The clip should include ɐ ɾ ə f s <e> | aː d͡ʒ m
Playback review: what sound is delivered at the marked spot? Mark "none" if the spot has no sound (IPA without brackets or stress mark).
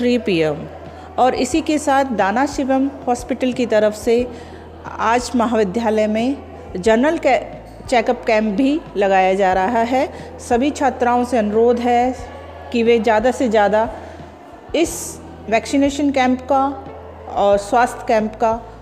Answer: e